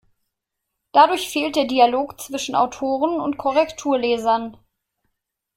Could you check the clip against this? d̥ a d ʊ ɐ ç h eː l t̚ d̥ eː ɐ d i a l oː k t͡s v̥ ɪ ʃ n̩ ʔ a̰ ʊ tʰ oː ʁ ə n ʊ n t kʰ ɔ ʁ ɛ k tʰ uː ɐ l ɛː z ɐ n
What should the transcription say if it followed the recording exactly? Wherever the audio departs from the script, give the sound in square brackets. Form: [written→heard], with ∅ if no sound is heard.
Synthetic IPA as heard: d̥ a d ʊ ɐ ç [h→f] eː l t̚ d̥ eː ɐ d i a l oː k t͡s v̥ ɪ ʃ n̩ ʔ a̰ ʊ tʰ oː ʁ ə n ʊ n t kʰ ɔ ʁ ɛ k tʰ uː ɐ l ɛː z ɐ n

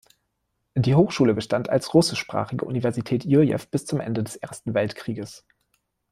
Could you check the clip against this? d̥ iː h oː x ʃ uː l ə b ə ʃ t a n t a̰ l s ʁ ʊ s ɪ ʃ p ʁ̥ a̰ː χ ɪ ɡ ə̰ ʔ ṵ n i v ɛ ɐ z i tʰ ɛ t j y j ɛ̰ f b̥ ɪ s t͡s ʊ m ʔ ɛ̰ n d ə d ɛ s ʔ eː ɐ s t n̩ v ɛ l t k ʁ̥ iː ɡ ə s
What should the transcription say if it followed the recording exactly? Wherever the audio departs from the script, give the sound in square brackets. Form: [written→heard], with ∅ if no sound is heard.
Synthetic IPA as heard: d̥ iː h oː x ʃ uː l ə b ə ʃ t a n t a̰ l s ʁ ʊ s ɪ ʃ p ʁ̥ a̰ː χ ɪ ɡ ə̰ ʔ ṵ n i v ɛ ɐ z i tʰ [ɛ→ɛː] t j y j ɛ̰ f b̥ ɪ s t͡s ʊ m ʔ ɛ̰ n d ə d ɛ s ʔ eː ɐ s t n̩ v ɛ l t k ʁ̥ iː ɡ ə s

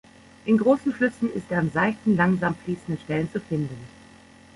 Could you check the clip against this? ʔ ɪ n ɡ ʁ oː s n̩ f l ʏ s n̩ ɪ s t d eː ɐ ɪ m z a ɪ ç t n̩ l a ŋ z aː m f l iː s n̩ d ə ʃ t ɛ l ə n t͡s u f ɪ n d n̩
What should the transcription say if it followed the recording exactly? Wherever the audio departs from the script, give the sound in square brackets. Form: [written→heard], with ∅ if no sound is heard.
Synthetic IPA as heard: ʔ ɪ n ɡ ʁ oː s n̩ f l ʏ s n̩ ɪ s t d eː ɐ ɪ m z a ɪ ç t n̩ l a ŋ z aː m f l iː s n̩ d ə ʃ t ɛ l ə n t͡s u f ɪ n d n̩

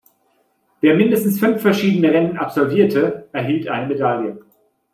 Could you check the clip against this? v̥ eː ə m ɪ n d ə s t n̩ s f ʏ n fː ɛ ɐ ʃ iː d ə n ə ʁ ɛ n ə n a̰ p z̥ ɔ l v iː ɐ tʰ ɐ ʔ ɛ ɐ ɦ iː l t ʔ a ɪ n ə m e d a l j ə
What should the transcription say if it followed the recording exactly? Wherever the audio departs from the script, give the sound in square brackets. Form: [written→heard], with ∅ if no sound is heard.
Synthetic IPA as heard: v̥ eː [ə→ɐ] m ɪ n d ə s t n̩ s f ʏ n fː ɛ ɐ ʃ iː d ə n ə ʁ ɛ n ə n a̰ p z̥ ɔ l v iː ɐ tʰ [ɐ→ə] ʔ ɛ ɐ ɦ iː l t ʔ a ɪ n ə m e d a l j ə

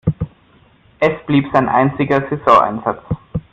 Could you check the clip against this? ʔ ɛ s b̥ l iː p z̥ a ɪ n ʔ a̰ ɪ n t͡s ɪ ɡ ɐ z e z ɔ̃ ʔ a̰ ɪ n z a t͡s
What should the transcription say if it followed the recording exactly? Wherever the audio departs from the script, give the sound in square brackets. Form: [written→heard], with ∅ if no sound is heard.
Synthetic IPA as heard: ʔ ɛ s b̥ l iː p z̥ a ɪ n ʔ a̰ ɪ n t͡s ɪ ɡ ɐ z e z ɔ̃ ʔ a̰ ɪ n z a t͡s

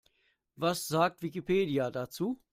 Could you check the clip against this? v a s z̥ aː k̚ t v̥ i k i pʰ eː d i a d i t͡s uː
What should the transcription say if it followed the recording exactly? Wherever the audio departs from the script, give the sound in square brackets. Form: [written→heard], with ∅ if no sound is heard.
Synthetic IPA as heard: v a s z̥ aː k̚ t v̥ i k i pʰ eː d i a d [i→a] t͡s uː

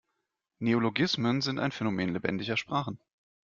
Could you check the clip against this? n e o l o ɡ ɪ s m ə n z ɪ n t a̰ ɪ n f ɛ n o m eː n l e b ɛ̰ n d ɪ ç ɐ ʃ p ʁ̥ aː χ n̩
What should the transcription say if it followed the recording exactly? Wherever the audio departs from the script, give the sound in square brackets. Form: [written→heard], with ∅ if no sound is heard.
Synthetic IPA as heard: n e o l o ɡ ɪ s m ə n z ɪ n t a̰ ɪ n f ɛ n o m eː n l e b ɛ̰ n d ɪ ç ɐ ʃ p ʁ̥ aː χ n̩

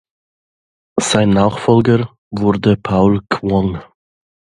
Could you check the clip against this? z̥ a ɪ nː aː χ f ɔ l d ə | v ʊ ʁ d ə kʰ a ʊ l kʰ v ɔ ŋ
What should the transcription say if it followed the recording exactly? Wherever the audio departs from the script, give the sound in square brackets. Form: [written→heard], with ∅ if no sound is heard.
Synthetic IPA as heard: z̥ a ɪ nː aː χ f ɔ l [d→ɡ] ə | v ʊ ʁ d ə [kʰ→pʰ] a ʊ l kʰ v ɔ ŋ

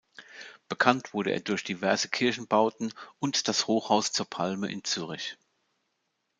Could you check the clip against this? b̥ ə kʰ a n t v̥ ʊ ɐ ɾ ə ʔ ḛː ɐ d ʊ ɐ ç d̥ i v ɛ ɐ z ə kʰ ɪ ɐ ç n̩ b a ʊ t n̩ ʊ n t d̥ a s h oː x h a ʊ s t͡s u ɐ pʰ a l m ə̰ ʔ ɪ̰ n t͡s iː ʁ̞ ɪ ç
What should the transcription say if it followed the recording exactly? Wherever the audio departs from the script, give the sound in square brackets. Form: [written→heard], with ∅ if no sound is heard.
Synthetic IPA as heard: b̥ ə kʰ a n t v̥ ʊ ɐ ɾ ə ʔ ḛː ɐ d ʊ ɐ ç d̥ i v ɛ ɐ z ə kʰ ɪ ɐ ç n̩ b a ʊ t n̩ ʊ n t d̥ a s h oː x h a ʊ s t͡s [u→uː] ɐ pʰ a l m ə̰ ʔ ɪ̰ n t͡s [iː→yː] ʁ̞ ɪ ç

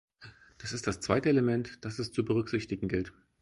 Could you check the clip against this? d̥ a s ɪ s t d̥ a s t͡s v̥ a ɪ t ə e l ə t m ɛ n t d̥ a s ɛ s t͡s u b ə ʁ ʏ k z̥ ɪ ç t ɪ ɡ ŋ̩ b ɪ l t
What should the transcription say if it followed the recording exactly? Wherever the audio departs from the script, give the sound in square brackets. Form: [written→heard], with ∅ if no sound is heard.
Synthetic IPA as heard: d̥ a s ɪ s t d̥ a s t͡s v̥ a ɪ t ə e l ə [t→∅] m ɛ n t d̥ a s ɛ s t͡s u b ə ʁ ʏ k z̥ ɪ ç t ɪ ɡ ŋ̩ [b→ɡ] ɪ l t

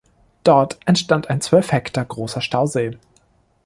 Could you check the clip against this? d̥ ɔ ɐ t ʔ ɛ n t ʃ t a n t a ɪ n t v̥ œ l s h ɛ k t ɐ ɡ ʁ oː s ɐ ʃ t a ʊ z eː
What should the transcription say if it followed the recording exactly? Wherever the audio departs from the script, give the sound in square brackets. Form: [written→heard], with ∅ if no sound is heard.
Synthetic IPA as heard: d̥ ɔ ɐ t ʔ ɛ n t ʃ t a n t a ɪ n [t→t͡s] v̥ œ l [s→f] h ɛ k t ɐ ɡ ʁ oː s ɐ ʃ t a ʊ z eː

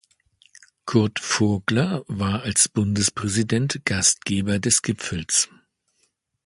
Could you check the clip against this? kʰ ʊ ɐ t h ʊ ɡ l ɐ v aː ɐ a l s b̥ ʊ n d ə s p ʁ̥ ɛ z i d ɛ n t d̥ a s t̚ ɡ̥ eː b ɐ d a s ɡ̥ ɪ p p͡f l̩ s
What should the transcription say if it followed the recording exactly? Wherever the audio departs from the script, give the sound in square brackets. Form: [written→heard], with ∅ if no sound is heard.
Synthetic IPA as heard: kʰ ʊ ɐ t [h→f] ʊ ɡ l ɐ v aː ɐ a l s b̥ ʊ n d ə s p ʁ̥ ɛ z i d ɛ n t [d̥→ɡ̥] a s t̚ ɡ̥ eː b ɐ d [a→ɛ] s ɡ̥ ɪ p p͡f l̩ s

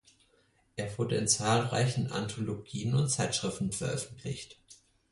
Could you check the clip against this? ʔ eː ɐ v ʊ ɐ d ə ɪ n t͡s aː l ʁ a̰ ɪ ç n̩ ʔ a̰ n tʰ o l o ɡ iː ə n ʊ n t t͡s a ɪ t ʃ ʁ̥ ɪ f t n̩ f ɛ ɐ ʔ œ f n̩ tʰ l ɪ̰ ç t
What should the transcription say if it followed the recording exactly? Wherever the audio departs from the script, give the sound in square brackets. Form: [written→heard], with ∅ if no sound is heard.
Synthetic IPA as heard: ʔ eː ɐ v ʊ ɐ d ə ɪ n t͡s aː l ʁ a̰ ɪ ç n̩ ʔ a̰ n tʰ o l o ɡ iː ə n ʊ n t t͡s a ɪ t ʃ ʁ̥ ɪ f t n̩ f ɛ ɐ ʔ œ f n̩ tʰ l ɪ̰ ç t

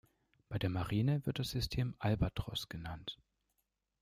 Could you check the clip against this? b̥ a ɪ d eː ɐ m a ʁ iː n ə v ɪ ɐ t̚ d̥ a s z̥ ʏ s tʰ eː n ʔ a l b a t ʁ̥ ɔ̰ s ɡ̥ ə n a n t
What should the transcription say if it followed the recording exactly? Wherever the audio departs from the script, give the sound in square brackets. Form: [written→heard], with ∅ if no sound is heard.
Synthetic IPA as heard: b̥ a ɪ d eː ɐ m a ʁ iː n ə v ɪ ɐ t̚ d̥ a s z̥ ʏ s tʰ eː [n→m] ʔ a l b a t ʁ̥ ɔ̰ s ɡ̥ ə n a n t

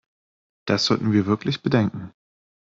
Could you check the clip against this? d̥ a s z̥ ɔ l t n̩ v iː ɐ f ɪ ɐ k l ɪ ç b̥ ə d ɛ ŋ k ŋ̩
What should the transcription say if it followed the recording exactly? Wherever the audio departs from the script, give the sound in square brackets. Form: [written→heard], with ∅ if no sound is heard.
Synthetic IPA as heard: d̥ a s z̥ ɔ l t n̩ v iː ɐ [f→v] ɪ ɐ k l ɪ ç b̥ ə d ɛ ŋ k ŋ̩

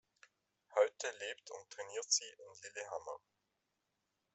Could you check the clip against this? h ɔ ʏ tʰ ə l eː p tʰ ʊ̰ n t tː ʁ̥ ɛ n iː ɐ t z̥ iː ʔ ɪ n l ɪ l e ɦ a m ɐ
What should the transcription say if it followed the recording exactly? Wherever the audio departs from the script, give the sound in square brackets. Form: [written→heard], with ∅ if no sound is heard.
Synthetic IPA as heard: h ɔ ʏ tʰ ə l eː p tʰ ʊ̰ n t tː ʁ̥ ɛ n iː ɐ t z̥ iː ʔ ɪ n l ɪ l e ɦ a m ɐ

